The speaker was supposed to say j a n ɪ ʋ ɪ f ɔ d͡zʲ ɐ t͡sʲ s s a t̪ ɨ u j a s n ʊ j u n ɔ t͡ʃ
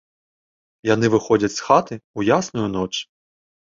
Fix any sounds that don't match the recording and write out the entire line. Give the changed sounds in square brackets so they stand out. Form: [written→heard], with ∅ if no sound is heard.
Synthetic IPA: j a n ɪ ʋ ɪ [f→x] ɔ d͡zʲ ɐ t͡sʲ s [s→x] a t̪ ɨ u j a s n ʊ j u n ɔ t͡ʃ